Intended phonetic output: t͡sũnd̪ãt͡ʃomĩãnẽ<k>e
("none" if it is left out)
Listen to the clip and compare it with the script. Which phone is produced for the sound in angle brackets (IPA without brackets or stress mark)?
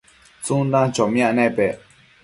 p